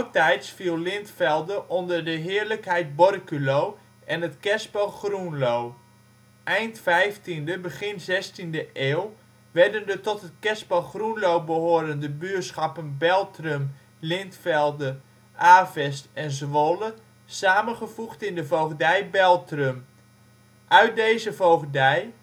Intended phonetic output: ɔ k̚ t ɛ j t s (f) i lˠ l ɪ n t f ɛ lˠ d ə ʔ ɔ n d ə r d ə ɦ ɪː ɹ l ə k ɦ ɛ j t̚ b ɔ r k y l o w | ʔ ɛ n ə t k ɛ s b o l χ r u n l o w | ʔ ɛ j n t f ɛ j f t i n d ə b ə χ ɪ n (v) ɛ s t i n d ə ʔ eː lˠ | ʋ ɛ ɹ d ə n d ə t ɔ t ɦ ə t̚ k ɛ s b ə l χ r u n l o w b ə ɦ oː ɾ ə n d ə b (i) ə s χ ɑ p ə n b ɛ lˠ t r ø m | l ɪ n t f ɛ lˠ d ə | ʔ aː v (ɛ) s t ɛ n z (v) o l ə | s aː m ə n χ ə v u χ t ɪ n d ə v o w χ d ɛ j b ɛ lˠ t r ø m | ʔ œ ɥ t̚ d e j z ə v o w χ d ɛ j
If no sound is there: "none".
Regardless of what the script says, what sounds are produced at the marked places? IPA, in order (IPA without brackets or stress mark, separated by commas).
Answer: f, z, y, ɛ, ʋ